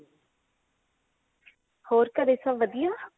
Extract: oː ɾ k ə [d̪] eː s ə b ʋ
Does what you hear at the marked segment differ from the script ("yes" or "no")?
no